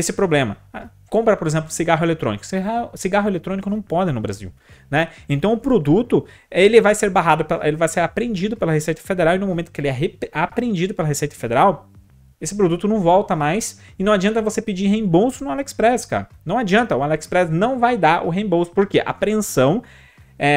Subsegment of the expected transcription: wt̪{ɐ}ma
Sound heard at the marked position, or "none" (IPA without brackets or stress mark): ɐ